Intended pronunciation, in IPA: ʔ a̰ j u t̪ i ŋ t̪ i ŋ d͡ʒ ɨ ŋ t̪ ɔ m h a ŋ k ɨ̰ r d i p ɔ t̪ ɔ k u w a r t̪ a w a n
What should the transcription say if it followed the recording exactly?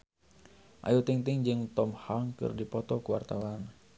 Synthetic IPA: ʔ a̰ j u t̪ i ŋ t̪ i ŋ d͡ʒ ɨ ŋ t̪ ɔ m h a ŋ k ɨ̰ r d i p ɔ t̪ ɔ k u w a r t̪ a w a n

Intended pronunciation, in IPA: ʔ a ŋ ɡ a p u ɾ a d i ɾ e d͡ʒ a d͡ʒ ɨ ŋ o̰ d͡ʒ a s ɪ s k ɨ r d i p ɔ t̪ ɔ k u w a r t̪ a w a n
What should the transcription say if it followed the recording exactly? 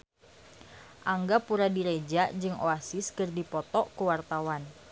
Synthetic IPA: ʔ a ŋ ɡ a p u ɾ a d i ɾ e d͡ʒ a d͡ʒ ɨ ŋ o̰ a s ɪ s k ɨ r d i p ɔ t̪ ɔ k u w a r t̪ a w a n

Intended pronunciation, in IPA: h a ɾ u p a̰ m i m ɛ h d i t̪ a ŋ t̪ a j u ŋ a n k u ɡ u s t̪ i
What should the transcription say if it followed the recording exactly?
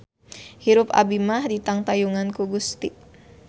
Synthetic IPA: h i ɾ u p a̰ b i m a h d i t̪ a ŋ t̪ a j u ŋ a n k u ɡ u s t̪ i

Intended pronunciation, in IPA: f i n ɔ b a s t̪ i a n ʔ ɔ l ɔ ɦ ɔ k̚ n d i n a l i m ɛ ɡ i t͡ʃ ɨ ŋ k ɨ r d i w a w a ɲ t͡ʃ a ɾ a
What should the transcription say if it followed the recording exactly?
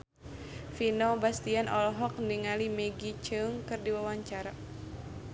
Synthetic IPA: f i n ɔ b a s t̪ i a n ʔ ɔ l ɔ ɦ ɔ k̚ n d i ŋ a l i m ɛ ɡ i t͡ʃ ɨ ŋ k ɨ r d i w a w a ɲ t͡ʃ a ɾ a

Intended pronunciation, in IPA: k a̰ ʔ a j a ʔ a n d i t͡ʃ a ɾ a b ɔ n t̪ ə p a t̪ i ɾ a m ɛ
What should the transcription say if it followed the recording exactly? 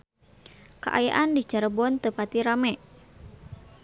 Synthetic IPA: k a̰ ʔ a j a ʔ a n d i t͡ʃ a ɾ ə b ɔ n t̪ ə p a t̪ i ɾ a m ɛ

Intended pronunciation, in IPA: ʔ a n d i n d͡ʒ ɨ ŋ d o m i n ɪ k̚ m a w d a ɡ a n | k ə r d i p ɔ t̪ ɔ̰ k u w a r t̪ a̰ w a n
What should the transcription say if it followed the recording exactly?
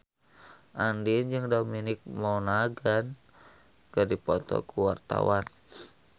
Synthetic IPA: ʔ a n d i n d͡ʒ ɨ ŋ d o m i n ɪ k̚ m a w n a ɡ a n | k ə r d i p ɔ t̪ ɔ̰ k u w a r t̪ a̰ w a n

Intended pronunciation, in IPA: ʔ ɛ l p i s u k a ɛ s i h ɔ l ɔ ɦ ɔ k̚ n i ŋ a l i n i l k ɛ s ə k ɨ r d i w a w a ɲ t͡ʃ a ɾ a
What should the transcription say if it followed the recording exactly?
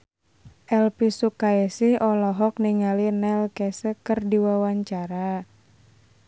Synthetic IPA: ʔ ɛ l p i s u k a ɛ s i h ɔ l ɔ ɦ ɔ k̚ n i ŋ a l i n ɛ l k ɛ s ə k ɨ r d i w a w a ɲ t͡ʃ a ɾ a

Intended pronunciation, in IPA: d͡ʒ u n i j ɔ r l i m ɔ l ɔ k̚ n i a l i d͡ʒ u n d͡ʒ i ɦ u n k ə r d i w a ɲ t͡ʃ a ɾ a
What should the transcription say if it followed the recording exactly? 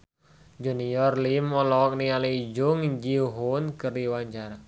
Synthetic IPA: d͡ʒ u n i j ɔ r l i m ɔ l ɔ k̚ n i a l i d͡ʒ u ŋ d͡ʒ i ɦ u n k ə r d i w a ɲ t͡ʃ a ɾ a

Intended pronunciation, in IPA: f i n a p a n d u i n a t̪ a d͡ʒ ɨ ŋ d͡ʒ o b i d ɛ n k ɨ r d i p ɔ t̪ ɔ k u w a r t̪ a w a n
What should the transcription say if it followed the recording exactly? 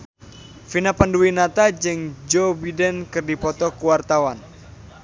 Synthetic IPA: f i n a p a n d u i n a t̪ a d͡ʒ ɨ ŋ d͡ʒ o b i d ɛ n k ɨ r d i p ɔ t̪ ɔ k u w a r t̪ a w a n

